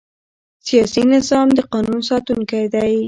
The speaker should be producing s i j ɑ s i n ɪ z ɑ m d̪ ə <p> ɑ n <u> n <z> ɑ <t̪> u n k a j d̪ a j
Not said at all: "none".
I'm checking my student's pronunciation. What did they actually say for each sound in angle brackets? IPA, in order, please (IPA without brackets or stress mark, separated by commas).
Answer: q, u, s, t̪